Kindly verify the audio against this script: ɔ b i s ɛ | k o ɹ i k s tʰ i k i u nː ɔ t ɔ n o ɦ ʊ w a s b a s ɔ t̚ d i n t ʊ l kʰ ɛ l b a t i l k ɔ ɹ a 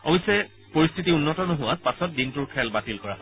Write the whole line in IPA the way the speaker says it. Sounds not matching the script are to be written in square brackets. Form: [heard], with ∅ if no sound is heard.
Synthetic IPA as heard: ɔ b i s ɛ | [p] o ɹ i [∅] s tʰ i [t] i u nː ɔ t ɔ n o ɦ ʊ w a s [p] a s ɔ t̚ d i n t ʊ [ɹ] kʰ ɛ l b a t i l k ɔ ɹ a